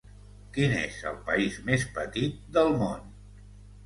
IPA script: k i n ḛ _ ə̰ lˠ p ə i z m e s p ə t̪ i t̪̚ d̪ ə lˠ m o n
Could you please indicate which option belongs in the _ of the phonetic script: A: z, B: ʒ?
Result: A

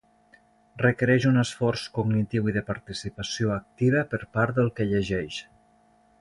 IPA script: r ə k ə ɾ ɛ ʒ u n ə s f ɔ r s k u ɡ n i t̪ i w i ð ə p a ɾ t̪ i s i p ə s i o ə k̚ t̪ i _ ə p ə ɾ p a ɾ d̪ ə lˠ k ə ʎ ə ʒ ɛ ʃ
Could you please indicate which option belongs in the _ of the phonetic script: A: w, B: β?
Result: B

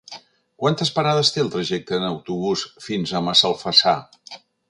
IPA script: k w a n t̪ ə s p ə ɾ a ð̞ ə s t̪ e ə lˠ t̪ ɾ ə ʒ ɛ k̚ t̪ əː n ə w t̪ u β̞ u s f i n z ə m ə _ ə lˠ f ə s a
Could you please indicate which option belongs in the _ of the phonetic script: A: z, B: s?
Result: B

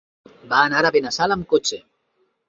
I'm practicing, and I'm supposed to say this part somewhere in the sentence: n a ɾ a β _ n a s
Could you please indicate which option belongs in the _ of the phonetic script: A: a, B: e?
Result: B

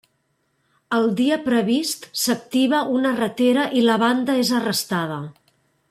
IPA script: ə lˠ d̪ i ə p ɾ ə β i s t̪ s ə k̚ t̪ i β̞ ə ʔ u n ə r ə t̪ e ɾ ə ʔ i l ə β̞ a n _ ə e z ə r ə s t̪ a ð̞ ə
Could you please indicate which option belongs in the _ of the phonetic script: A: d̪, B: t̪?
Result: A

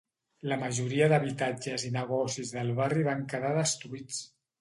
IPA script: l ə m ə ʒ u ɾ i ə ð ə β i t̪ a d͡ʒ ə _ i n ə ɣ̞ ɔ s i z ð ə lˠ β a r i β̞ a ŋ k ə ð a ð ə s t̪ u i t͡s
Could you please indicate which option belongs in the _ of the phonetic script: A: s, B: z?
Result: B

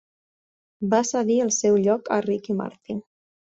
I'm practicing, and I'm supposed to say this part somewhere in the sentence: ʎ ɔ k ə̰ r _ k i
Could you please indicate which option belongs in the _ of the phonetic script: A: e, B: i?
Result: B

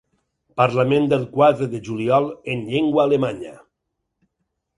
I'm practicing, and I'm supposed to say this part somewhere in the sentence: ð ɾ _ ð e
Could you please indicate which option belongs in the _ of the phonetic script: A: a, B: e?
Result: B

